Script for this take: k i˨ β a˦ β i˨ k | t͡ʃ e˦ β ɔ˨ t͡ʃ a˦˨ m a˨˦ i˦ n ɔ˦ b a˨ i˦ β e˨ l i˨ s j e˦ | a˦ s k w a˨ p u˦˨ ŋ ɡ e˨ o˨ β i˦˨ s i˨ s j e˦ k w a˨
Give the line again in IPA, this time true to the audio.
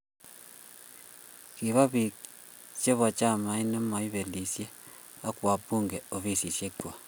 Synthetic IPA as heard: k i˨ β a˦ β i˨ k | t͡ʃ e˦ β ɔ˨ t͡ʃ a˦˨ m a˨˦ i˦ n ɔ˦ m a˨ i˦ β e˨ l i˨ s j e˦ | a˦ k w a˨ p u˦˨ ŋ ɡ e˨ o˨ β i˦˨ s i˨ s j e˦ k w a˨